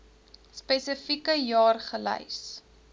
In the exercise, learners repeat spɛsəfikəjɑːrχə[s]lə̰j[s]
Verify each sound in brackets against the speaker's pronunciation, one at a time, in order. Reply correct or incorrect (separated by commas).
incorrect, correct